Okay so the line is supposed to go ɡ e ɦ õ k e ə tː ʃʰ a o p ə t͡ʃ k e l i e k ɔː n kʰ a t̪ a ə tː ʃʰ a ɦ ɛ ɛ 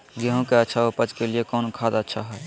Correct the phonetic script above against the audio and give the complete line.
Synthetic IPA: ɡ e ɦ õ k e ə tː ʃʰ a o p ə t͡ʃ k e l i e k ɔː n kʰ a d̪ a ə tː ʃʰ a ɦ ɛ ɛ

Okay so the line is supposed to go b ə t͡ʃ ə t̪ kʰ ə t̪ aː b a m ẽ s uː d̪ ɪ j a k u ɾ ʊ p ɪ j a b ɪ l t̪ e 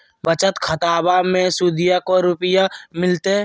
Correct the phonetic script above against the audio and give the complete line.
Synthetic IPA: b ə t͡ʃ ə t̪ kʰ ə t̪ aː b a m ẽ s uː d̪ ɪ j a k o ɾ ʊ p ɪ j a m ɪ l t̪ e

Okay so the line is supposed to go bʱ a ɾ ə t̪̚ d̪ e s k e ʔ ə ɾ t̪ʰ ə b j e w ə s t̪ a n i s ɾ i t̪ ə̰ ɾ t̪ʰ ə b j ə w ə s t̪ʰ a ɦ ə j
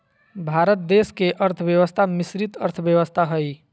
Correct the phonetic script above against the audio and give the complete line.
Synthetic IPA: bʱ a ɾ ə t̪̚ d̪ e s k e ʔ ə ɾ t̪ʰ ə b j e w ə s t̪ʰ a m i s ɾ i t̪ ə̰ ɾ t̪ʰ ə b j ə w ə s t̪ʰ a ɦ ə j

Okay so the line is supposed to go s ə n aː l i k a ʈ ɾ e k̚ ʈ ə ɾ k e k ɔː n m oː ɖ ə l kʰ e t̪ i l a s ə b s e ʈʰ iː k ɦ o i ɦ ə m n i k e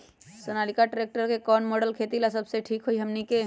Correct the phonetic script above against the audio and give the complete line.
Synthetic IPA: s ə n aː l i k a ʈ ɾ e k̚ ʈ ə ɾ k e k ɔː n m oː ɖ ə l kʰ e t̪ i l a s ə b s e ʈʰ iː k ɦ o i ɦ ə m n i k e

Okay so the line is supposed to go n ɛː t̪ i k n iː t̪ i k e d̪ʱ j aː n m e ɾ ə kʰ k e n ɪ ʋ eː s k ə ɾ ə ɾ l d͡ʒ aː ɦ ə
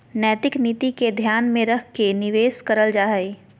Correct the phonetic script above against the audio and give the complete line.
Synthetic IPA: n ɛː t̪ ɪ k n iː t̪ i k e d̪ʱ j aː n m ẽ ɾ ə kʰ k e n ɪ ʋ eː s k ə ɾ ə l d͡ʒ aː ɦ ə

